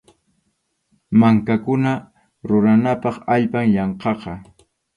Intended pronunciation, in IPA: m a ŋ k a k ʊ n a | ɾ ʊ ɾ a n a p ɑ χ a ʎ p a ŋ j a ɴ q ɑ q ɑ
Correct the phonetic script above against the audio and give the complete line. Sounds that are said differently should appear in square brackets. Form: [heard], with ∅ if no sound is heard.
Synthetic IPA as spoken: m a ŋ k a k ʊ n a | ɾ ʊ ɾ a n a p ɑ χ a ʎ p a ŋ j [ɑ] ɴ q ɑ q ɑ